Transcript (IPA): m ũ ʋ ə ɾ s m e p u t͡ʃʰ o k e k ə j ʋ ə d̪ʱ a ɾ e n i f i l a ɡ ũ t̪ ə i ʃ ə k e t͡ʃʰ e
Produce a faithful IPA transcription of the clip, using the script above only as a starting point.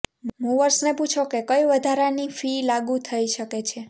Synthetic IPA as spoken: m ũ ʋ ə ɾ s n e p u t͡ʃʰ o k e k ə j ʋ ə d̪ʱ a ɾ a n i f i l a ɡ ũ t̪ʰ ə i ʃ ə k e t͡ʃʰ e

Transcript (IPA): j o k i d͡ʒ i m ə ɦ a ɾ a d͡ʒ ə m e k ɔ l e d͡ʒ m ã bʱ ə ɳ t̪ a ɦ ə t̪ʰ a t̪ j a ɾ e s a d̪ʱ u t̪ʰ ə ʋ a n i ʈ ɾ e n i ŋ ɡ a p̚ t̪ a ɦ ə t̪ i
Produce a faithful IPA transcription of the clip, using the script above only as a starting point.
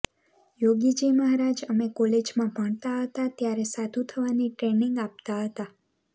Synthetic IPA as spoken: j o ɡ i d͡ʒ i m ə ɦ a ɾ a d͡ʒ ə m e k ɔ l e d͡ʒ m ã bʱ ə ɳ t̪ a ɦ ə t̪ a t̪ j a ɾ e s a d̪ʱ u t̪ʰ ə ʋ a n i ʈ ɾ e n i ŋ ɡ a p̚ t̪ a ɦ ə t̪ a

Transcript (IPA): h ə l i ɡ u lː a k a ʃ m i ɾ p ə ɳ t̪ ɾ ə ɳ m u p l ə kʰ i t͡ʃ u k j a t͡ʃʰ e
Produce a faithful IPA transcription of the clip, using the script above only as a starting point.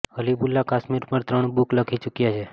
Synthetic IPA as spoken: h ə l i b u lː a k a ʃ m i ɾ p ə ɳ t̪ ɾ ə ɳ b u k l ə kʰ i t͡ʃ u k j a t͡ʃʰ e

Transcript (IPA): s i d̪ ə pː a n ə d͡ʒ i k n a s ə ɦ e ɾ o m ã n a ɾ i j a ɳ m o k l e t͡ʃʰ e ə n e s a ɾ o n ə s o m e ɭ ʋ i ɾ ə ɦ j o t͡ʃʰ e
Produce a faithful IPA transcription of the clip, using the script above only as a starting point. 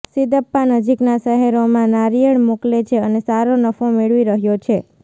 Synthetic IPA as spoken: s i d̪ ə pː a n ə d͡ʒ i k n a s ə ɦ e ɾ o m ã n a ɾ i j ə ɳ m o k l e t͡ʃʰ e ə n e s a ɾ o n ə f o m e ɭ ʋ i ɾ ə ɦ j o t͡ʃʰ e

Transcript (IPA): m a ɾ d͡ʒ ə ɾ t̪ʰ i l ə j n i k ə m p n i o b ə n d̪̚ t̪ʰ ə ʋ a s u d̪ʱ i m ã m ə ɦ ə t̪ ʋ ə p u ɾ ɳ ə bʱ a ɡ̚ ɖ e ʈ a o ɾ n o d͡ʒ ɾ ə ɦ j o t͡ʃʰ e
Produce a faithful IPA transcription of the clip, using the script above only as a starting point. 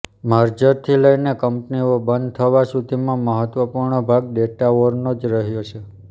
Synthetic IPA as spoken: m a ɾ d͡ʒ ə ɾ t̪ʰ i l ə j n e k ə m p n i o b ə n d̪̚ t̪ʰ ə ʋ a s u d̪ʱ i m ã m ə ɦ ə t̪ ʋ ə p u ɾ ɳ ə bʱ a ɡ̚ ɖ e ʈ a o ɾ n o d͡ʒ ɾ ə ɦ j o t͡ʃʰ e

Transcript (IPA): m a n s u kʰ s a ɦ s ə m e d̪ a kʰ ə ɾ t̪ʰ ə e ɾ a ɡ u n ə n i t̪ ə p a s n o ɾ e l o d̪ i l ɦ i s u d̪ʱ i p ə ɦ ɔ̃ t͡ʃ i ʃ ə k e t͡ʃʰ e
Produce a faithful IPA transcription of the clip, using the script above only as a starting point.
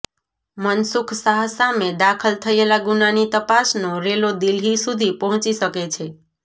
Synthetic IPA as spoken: m ə n s u kʰ s a ɦ s a m e d̪ a kʰ ə l t̪ʰ ə e l a ɡ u n a n i t̪ ə p a s n o ɾ e l o d̪ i l ɦ i s u d̪ʱ i p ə ɦ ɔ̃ t͡ʃ i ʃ ə k e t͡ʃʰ e

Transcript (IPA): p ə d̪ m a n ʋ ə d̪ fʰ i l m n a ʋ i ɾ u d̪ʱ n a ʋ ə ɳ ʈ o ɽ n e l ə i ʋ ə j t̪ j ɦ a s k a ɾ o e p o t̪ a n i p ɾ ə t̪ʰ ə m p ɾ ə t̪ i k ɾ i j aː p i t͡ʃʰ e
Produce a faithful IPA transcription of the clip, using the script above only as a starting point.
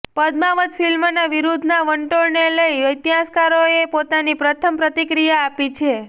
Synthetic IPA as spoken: p ə d̪ m a ʋ ə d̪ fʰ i l m n a ʋ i ɾ u d̪ʱ n a ʋ ə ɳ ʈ o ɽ n e l ə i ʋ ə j t̪ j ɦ a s k a ɾ o e p o t̪ a n i p ɾ ə t̪ʰ ə m p ɾ ə t̪ i k ɾ i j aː p i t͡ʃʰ e

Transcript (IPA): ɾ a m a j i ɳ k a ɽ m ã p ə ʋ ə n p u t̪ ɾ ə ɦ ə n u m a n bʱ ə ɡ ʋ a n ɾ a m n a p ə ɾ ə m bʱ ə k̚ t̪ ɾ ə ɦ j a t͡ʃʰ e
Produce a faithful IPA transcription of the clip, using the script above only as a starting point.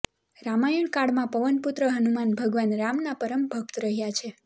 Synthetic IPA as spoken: ɾ a m a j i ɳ k a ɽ m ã p ə ʋ ə n p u t̪ ɾ ə ɦ ə n u m a n bʱ ə ɡ ʋ a n ɾ a m n a p ə ɾ ə m bʱ ə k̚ t̪ ɾ ə ɦ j a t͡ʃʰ e

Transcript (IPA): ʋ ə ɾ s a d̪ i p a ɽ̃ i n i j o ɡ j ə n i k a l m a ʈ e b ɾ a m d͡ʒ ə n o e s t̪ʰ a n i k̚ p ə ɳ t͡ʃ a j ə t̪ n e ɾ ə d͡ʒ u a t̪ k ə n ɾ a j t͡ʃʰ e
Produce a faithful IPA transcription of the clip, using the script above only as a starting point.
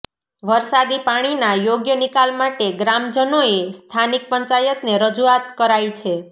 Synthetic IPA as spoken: ʋ ə ɾ s a d̪ i p a ɽ̃ i n a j o ɡ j ə n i k a l m a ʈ e ɡ ɾ a m d͡ʒ ə n o e s t̪ʰ a n i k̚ p ə ɲ t͡ʃ a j ə t̪ n e ɾ ə d͡ʒ u a t̪ k ə ɾ a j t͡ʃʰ e

